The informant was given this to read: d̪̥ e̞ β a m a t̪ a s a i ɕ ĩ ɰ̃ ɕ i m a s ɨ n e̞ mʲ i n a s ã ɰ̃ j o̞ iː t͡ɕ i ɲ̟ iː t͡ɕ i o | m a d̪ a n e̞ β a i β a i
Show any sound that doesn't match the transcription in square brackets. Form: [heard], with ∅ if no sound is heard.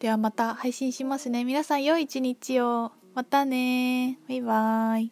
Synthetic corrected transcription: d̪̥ e̞ β a m a t̪ a [h] a i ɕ ĩ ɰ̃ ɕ i m a s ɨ n e̞ mʲ i n a s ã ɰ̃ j o̞ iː t͡ɕ i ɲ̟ [i] t͡ɕ i o | m a [t̪] a n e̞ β a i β a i